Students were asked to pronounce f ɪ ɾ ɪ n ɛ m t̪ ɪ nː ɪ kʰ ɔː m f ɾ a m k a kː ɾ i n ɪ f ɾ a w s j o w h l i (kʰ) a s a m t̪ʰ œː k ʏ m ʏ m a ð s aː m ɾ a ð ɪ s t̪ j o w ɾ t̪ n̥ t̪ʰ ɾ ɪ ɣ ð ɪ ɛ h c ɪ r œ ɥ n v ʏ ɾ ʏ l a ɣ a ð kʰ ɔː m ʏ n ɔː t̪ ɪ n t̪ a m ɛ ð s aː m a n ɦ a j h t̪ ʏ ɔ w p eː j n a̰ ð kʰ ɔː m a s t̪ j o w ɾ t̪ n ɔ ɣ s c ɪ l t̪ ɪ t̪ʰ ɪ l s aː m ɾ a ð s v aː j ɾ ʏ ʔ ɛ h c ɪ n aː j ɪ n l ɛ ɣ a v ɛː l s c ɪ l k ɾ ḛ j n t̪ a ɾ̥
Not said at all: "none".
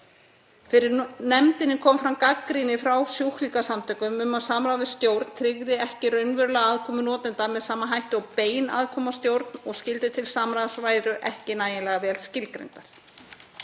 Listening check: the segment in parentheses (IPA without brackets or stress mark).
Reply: k